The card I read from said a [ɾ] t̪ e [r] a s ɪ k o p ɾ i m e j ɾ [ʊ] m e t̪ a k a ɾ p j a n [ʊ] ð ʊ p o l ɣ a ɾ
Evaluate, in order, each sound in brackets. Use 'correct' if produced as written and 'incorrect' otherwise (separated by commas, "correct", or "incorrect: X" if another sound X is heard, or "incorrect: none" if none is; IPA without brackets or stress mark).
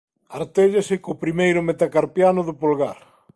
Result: correct, incorrect: ʎ, correct, correct